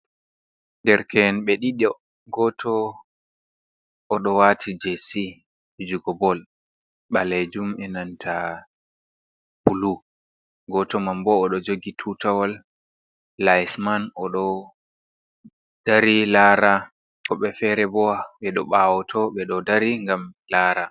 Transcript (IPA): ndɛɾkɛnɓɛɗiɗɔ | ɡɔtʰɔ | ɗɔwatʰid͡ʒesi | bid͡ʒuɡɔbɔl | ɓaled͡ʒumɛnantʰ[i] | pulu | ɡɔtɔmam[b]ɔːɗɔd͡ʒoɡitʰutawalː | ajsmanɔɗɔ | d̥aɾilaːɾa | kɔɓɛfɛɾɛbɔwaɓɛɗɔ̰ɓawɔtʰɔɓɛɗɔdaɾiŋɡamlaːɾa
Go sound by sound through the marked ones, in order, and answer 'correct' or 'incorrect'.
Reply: incorrect, correct

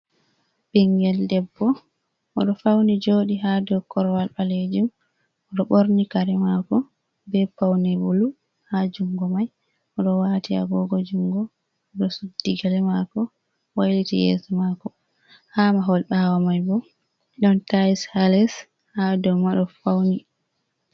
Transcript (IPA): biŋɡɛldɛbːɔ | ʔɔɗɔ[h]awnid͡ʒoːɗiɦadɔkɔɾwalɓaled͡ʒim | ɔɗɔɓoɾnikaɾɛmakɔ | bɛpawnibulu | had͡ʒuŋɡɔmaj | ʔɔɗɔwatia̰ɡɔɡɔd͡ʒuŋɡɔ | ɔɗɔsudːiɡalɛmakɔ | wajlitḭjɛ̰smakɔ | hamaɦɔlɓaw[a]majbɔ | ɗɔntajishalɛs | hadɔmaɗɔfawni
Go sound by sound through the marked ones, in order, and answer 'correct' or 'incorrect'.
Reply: incorrect, correct

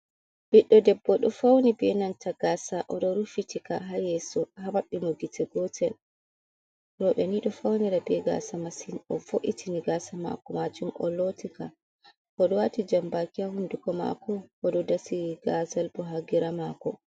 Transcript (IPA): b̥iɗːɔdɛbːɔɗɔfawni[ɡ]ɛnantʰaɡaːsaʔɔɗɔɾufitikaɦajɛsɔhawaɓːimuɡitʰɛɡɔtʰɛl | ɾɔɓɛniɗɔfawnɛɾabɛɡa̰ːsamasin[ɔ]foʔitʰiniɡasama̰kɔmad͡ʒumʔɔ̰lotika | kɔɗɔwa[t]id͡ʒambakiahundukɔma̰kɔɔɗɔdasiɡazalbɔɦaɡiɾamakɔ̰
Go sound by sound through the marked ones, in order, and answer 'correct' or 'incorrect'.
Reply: incorrect, correct, correct

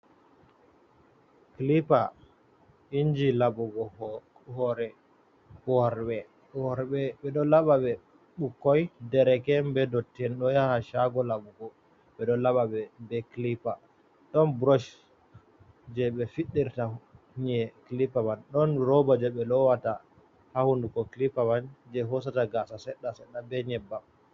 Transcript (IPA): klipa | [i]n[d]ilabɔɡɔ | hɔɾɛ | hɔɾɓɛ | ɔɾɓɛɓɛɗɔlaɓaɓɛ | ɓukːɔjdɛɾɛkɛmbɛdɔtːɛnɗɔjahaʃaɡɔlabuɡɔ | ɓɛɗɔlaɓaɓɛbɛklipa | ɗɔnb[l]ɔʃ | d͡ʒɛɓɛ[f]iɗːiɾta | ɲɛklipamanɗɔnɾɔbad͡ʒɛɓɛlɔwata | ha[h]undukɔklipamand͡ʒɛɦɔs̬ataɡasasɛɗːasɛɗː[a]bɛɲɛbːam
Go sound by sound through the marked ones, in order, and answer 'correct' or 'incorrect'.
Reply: correct, incorrect, incorrect, correct, correct, correct

